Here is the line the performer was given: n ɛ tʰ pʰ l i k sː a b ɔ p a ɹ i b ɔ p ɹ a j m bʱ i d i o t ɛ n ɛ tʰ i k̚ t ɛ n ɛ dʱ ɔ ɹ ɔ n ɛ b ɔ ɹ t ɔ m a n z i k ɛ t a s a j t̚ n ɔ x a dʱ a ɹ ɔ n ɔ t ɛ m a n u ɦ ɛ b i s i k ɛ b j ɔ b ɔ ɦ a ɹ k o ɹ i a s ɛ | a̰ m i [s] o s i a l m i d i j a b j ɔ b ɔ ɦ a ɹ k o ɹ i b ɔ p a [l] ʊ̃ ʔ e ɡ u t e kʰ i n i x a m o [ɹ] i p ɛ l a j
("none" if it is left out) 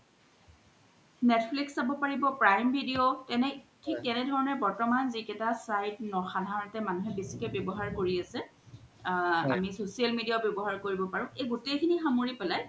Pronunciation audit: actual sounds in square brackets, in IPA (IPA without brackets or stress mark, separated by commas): s, ɹ, ɹ